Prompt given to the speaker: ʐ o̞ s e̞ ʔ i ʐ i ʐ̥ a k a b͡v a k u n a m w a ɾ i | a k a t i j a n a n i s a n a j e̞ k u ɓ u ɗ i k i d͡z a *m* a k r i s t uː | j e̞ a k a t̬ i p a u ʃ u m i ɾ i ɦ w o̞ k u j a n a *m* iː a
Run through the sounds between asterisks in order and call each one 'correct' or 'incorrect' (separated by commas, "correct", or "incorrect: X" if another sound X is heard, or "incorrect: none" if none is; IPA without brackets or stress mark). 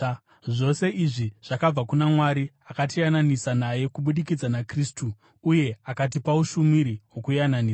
incorrect: n, incorrect: n